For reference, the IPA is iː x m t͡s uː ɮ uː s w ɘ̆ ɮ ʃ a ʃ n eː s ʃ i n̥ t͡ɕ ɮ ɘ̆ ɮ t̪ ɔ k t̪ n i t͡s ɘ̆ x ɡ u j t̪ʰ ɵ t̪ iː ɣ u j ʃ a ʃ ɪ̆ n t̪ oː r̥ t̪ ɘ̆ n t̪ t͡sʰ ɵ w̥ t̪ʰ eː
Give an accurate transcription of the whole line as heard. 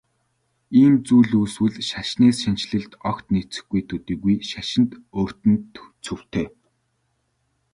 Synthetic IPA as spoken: iː m t͡s uː ɮ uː s w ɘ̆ ɮ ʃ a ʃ n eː s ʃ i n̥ t͡ɕ ɮ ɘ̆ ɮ t̪ ɔ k t̪ n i t͡s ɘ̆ x ɡ u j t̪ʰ ɵ t̪ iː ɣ u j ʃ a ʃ ɪ̆ n t̪ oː r̥ t̪ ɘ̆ n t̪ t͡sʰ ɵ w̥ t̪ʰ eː